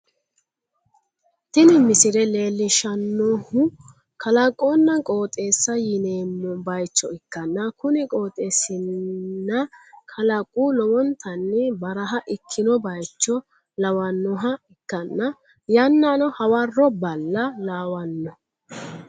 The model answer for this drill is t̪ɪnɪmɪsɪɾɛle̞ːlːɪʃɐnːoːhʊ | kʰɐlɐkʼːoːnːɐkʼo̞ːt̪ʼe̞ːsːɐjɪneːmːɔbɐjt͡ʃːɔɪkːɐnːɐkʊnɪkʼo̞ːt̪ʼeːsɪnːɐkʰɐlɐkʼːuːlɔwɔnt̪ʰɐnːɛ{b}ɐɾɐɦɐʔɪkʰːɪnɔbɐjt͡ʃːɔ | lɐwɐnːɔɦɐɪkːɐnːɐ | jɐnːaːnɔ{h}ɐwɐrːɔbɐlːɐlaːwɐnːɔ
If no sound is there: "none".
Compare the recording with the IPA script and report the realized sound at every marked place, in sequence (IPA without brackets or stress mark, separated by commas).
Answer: b, h